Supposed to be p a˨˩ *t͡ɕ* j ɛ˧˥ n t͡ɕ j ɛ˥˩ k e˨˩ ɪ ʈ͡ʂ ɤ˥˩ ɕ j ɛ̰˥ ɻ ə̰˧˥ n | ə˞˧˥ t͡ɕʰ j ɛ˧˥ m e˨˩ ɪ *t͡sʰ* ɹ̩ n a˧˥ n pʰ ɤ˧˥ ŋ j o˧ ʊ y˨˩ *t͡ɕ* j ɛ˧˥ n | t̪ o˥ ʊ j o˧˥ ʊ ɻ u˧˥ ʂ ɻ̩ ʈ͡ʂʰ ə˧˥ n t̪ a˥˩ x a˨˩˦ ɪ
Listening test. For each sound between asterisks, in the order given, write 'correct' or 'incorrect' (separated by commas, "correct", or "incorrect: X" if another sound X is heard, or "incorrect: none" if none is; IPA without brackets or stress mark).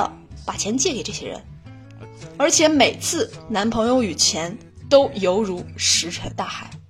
incorrect: t͡ɕʰ, correct, incorrect: t͡ɕʰ